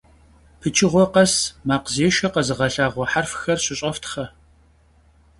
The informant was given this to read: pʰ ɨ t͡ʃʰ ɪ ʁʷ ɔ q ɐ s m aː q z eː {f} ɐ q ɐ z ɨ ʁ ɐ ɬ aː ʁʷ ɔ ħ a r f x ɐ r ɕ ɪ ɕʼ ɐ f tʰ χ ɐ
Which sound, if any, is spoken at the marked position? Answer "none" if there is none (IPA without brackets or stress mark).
ʃ